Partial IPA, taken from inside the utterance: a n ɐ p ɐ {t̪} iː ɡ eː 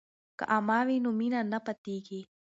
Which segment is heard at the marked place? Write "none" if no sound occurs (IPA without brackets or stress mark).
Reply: t̪